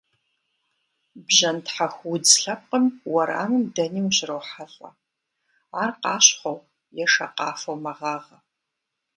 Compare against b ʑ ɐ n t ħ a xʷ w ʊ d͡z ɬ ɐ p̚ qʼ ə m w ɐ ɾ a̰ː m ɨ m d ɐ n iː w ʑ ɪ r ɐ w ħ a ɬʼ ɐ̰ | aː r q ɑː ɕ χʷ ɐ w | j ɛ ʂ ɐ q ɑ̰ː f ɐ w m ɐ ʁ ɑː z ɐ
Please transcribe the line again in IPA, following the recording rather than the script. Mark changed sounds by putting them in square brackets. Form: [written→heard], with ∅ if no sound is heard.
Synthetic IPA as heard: b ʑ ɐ n t ħ a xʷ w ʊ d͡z ɬ ɐ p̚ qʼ ə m w ɐ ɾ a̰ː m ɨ m d ɐ n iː w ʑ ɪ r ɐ w ħ a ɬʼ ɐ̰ | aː r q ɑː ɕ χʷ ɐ w | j ɛ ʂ ɐ q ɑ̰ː f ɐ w m ɐ ʁ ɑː [z→ʁ] ɐ